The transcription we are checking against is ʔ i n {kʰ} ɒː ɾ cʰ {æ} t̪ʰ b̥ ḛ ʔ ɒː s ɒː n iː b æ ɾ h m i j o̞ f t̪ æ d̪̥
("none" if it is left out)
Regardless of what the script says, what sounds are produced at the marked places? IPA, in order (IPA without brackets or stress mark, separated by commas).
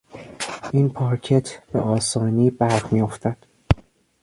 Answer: pʰ, e